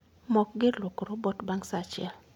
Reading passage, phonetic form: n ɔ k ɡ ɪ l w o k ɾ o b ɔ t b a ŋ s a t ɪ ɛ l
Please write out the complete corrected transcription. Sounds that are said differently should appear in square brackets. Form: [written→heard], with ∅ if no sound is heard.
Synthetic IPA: [n→m] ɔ k ɡ ɪ l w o k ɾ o b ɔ t b a ŋ s a [t→t͡ʃ] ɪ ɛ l